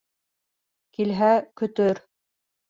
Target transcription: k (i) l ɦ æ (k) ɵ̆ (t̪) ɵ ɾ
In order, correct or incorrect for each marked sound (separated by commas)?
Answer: correct, correct, correct